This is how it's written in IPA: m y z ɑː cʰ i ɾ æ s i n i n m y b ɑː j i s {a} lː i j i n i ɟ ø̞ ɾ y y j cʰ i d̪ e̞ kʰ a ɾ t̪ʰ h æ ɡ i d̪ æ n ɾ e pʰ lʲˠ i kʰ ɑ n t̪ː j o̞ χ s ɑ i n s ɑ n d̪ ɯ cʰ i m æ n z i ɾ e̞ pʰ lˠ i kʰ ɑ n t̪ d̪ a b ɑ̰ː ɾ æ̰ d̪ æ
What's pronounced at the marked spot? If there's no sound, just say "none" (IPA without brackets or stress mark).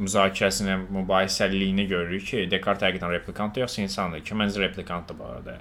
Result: æ